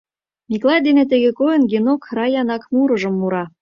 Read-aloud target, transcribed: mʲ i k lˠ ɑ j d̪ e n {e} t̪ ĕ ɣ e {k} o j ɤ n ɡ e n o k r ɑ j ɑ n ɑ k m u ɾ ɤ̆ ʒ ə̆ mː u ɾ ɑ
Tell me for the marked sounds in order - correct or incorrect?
correct, correct

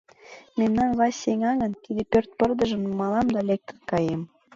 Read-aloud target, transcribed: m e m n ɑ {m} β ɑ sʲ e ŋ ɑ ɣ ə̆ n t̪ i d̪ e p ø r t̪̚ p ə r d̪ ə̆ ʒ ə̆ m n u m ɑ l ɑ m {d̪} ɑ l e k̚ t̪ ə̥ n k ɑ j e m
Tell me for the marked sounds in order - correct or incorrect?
incorrect: n, correct

